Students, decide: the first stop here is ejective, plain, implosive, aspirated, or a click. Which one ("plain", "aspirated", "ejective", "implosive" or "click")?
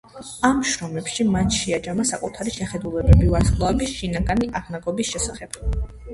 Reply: plain